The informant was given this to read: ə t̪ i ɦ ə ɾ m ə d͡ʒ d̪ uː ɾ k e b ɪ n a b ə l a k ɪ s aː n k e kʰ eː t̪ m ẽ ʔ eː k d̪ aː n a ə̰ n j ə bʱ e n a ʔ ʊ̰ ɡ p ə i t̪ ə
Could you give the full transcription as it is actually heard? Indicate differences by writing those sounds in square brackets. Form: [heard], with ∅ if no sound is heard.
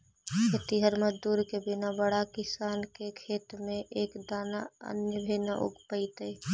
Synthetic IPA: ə t̪ i ɦ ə ɾ m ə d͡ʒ d̪ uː ɾ k e b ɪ n a b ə [ɽ] a k ɪ s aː n k e kʰ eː t̪ m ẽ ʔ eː k d̪ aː n a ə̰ n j ə bʱ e n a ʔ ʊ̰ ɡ p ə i t̪ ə